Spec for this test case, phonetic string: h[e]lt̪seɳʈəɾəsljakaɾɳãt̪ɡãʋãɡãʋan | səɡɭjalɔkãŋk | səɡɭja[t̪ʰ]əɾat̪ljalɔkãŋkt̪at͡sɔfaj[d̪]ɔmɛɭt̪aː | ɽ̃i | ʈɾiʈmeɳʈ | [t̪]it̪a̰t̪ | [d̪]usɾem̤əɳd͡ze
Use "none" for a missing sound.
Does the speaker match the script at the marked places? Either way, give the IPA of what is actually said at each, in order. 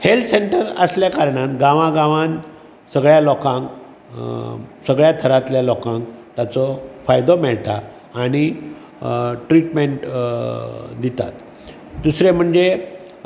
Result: e, t̪ʰ, d̪, d̪, d̪

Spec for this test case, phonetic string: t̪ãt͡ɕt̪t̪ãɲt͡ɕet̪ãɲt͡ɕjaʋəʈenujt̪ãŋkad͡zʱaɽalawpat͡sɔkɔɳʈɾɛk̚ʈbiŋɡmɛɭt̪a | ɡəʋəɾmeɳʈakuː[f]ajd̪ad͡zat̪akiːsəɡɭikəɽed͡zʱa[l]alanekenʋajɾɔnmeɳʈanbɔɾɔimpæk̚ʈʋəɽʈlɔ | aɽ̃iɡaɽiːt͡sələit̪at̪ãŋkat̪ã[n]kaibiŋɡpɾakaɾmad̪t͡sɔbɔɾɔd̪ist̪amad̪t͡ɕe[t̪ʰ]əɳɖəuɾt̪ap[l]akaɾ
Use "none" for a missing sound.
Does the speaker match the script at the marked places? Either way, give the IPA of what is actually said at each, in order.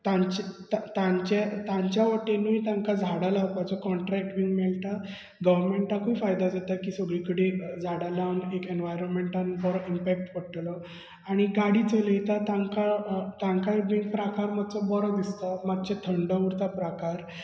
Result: f, ɽ, ŋ, t̪ʰ, ɾ

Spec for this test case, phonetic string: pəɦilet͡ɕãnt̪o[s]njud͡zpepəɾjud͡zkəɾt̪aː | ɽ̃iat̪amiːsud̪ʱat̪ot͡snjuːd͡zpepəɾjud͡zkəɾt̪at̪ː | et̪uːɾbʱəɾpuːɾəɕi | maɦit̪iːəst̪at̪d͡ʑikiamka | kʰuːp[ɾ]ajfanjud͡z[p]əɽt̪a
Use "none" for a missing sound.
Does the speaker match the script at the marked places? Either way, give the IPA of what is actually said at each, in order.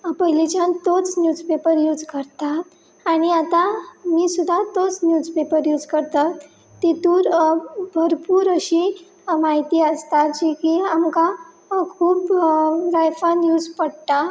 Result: t͡s, ɾ, p

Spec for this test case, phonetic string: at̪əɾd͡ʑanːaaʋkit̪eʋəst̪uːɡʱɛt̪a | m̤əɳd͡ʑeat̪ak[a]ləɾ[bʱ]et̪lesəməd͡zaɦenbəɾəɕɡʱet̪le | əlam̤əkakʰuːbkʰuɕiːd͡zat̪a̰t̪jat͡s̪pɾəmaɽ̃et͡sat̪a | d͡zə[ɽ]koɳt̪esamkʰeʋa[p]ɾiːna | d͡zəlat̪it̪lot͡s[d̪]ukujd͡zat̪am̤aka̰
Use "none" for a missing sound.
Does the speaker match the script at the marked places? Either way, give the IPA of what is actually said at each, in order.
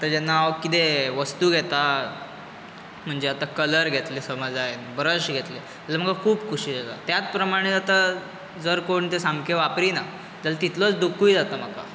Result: ə, ɡʱ, ɾ, p, d̪

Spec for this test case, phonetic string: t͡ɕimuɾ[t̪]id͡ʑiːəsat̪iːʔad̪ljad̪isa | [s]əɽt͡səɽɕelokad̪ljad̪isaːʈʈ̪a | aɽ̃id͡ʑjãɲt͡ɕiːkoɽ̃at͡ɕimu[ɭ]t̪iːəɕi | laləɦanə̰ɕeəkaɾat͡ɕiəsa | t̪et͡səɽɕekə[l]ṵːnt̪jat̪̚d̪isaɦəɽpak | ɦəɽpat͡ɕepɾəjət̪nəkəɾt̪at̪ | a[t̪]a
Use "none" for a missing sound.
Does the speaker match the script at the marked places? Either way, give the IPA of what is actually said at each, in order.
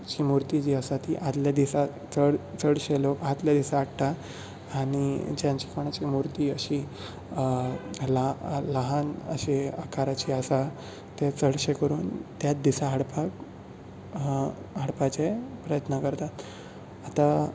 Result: t̪, t͡s, ɾ, ɾ, t̪

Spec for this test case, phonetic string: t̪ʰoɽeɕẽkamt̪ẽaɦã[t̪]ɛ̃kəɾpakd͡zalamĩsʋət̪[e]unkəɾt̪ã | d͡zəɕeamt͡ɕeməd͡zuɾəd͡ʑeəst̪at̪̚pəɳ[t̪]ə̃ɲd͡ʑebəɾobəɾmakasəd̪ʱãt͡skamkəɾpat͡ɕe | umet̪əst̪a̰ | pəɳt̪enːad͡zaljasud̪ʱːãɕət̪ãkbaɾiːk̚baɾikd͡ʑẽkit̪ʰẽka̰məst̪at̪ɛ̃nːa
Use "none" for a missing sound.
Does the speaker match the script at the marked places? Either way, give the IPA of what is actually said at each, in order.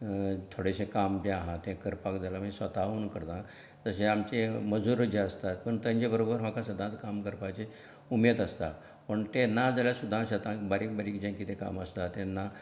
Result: t̪, a, t̪

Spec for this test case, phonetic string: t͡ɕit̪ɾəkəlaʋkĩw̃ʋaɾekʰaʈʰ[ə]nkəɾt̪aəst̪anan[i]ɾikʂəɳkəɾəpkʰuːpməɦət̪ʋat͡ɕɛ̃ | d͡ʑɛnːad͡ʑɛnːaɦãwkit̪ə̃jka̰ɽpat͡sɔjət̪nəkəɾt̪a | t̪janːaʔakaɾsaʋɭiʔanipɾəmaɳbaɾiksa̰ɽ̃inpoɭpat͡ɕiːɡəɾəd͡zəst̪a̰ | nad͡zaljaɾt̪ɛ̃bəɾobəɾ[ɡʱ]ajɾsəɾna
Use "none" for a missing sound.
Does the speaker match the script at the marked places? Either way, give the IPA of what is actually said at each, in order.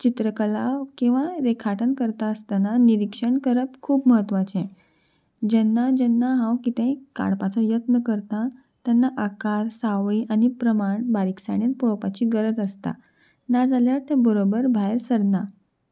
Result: ə, i, bʱ

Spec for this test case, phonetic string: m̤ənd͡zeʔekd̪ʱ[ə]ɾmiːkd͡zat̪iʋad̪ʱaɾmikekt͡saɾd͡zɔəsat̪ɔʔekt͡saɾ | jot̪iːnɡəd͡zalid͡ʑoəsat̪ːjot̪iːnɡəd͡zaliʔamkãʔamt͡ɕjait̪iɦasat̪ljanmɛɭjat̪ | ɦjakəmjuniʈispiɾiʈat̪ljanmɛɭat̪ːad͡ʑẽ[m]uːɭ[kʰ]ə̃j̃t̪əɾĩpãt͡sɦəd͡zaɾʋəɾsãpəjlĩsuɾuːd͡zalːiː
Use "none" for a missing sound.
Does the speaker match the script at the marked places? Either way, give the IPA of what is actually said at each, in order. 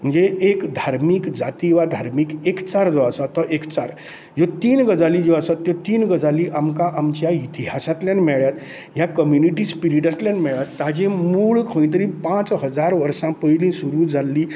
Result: a, m, kʰ

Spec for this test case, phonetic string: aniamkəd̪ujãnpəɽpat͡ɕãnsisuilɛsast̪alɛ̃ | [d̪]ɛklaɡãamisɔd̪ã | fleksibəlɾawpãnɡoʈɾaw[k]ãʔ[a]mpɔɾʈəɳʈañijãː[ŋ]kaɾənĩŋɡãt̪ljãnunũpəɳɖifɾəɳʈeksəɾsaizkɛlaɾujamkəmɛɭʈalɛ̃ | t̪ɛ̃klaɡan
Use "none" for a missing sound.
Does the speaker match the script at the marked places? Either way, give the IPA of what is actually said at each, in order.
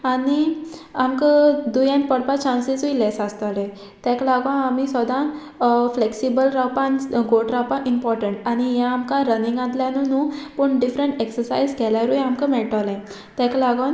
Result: t̪, p, i, m

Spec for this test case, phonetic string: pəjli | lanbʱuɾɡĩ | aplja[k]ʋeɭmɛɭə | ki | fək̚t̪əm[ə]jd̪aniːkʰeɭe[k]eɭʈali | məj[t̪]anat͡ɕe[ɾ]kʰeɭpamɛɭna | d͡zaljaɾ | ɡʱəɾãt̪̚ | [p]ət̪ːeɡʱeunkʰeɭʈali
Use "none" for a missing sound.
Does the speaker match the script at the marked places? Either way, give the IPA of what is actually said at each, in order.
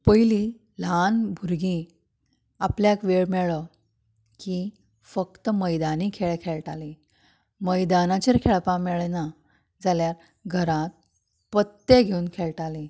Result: k, ə, kʰ, d̪, ɾ, p

